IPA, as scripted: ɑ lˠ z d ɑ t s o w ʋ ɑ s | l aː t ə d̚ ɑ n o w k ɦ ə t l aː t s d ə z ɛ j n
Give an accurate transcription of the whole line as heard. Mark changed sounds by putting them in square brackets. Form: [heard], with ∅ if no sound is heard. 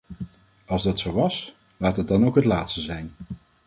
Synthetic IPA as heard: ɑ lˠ z d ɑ t s o w ʋ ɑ s | l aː t ə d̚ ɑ n o w k ɦ ə t l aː t s [t] ə z ɛ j n